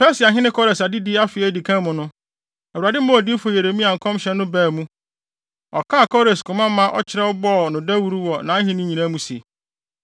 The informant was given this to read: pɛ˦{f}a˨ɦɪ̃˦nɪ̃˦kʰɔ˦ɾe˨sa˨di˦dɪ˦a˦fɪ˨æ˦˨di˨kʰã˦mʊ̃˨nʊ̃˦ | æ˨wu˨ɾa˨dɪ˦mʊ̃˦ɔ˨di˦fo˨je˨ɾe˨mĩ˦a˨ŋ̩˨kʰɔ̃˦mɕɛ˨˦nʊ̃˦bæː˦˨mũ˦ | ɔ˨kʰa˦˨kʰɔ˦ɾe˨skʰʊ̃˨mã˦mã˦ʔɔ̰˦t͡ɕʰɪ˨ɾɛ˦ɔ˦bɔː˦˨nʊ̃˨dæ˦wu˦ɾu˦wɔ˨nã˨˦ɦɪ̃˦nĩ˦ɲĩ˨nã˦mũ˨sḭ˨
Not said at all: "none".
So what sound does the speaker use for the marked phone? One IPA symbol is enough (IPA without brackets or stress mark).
s